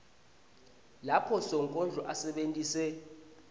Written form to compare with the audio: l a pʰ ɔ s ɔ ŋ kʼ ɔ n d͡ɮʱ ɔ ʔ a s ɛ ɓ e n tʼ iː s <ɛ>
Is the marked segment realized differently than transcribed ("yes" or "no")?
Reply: no